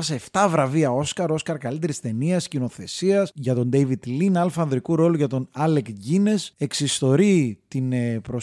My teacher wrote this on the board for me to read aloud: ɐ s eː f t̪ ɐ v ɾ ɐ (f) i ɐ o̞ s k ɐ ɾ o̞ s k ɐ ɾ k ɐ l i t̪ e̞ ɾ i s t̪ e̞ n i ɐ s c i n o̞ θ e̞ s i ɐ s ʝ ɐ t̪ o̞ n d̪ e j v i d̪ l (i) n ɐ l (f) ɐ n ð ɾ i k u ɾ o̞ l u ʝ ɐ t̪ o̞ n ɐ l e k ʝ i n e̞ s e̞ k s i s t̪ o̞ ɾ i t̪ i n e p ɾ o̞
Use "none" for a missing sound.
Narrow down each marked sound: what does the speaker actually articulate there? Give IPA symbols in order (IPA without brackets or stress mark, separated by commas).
v, i, f